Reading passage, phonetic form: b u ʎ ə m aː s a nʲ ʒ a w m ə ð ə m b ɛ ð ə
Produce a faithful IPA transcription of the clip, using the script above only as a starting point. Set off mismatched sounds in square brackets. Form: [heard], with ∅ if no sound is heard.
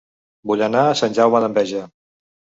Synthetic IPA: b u ʎ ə [n] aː s a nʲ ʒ a w m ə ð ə m b ɛ [ʒ] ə

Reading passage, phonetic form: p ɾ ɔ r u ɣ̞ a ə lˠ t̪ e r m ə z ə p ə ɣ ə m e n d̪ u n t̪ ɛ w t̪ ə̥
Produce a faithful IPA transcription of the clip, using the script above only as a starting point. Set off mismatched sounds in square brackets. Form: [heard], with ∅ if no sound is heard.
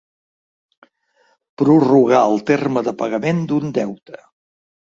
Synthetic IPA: p ɾ [u] r u ɣ̞ a ə lˠ t̪ e r m ə [ð] ə p ə ɣ ə m e n d̪ u n [d̪] ɛ w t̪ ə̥

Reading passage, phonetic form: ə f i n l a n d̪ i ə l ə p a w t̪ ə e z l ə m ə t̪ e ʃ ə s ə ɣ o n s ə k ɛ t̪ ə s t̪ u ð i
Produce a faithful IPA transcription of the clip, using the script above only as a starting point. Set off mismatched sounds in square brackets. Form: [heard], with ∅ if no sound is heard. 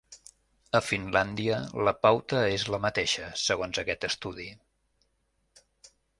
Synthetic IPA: ə f i n l a n d̪ i ə l ə p a w t̪ ə e z l ə m ə t̪ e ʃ ə s ə ɣ o n [z] ə k ɛ t̪ ə s t̪ u ð i

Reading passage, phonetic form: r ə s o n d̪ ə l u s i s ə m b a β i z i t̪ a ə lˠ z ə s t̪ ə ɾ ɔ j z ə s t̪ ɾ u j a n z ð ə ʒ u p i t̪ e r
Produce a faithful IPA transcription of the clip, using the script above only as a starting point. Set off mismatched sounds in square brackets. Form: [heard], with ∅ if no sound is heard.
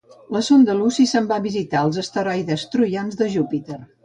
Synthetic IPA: [l] ə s o n d̪ ə l u s i s ə m b a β i z i t̪ a ə lˠ z ə s t̪ ə ɾ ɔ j [ð] ə s t̪ ɾ u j a n z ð ə ʒ u p i t̪ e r

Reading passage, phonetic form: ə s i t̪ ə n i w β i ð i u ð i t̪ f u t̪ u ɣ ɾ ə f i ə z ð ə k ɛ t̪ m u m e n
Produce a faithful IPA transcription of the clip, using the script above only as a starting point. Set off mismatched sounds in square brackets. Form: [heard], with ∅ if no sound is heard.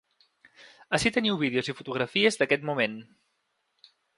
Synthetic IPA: ə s i t̪ ə n i w β i ð [e] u [z] i [∅] f u t̪ u ɣ ɾ ə f i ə z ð ə k ɛ t̪ m u m e n

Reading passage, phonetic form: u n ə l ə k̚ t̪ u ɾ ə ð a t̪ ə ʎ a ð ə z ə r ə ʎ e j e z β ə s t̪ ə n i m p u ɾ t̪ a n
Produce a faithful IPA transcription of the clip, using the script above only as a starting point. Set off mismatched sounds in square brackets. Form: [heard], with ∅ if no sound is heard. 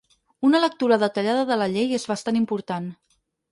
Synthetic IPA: u n ə l ə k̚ t̪ u ɾ ə ð [ə] t̪ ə ʎ a ð ə [ð] ə [l] ə ʎ e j e z β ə s t̪ [a] n i m p u ɾ t̪ a n

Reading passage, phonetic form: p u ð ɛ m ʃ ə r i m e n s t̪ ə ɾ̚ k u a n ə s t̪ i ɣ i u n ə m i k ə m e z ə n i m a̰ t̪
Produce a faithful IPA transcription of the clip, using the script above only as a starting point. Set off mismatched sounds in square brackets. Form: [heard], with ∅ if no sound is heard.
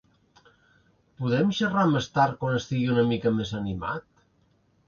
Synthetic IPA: p u ð ɛ m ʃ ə r [a] m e [∅] s t̪ [a] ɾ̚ k [w] a n ə s t̪ i ɣ i u n ə m i k ə m e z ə n i m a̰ t̪

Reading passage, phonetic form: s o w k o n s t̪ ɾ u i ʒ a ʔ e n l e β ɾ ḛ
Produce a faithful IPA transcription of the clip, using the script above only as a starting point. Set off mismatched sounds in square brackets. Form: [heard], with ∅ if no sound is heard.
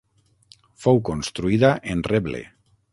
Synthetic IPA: [f] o w k o n s t̪ ɾ u i [ð] a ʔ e n [r] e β [l] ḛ

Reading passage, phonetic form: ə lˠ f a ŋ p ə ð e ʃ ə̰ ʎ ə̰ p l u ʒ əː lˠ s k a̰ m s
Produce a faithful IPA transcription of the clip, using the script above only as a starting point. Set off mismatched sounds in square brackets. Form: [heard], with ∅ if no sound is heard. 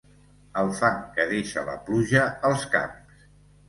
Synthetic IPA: ə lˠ f a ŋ [k] ə ð e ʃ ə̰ [l] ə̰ p l u ʒ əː lˠ s k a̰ m s

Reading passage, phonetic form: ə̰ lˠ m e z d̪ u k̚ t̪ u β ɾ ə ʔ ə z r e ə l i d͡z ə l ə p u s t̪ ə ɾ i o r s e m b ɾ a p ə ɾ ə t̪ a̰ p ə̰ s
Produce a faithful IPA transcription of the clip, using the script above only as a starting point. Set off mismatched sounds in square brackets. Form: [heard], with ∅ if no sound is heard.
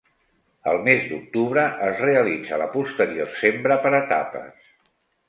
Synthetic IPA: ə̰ lˠ m e z d̪ u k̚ t̪ u β ɾ ə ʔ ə z r e ə l i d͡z ə l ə p u s t̪ ə ɾ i o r s e m b ɾ [ə] p ə ɾ ə t̪ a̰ p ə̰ s

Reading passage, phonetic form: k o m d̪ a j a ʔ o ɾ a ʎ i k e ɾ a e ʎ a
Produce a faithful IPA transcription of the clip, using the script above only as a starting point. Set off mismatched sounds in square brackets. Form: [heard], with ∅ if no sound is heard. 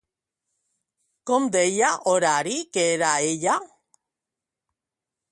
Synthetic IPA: k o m d̪ [e] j a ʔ o ɾ a [ɾ] i k e ɾ a e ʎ a

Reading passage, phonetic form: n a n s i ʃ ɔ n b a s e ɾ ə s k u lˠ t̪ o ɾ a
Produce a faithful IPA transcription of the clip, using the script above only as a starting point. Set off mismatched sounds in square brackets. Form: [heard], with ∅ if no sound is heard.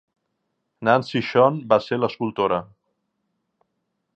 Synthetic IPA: n a n s i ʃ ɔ n b a s e [l] ə s k u lˠ t̪ o ɾ [ə]

